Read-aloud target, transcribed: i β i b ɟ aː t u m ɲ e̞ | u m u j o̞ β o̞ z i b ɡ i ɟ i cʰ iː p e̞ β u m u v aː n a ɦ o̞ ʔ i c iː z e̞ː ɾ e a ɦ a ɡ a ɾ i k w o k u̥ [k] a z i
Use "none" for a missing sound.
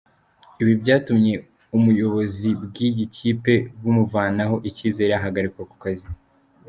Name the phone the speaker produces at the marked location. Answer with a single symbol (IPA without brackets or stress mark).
k